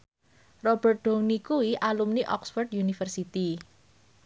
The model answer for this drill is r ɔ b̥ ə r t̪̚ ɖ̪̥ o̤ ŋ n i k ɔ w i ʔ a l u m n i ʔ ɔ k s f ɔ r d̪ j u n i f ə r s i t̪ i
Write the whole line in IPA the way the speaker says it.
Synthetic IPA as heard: r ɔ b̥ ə r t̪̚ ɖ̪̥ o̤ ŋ n i k u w i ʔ a l u m n i ʔ ɔ k s f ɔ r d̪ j u n i f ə r s i t̪ i